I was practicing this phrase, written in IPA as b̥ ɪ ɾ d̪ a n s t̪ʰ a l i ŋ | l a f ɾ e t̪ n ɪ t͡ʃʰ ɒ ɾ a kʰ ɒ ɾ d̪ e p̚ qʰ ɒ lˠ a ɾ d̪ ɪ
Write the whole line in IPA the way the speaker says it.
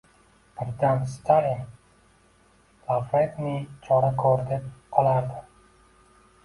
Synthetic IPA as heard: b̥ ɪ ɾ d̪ a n s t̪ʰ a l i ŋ | l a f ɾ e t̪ n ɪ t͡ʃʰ ɒ ɾ a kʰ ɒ ɾ d̪ e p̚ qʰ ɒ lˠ a ɾ d̪ ɪ